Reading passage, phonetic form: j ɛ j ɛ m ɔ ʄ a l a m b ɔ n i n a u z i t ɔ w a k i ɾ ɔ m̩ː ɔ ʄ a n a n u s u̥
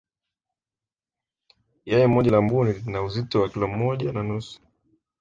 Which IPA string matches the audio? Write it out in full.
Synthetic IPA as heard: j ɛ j ɛ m ɔ ʄ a l a m b u n i n a u z i t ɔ w a k i l ɔ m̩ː ɔ ʄ a n a n u s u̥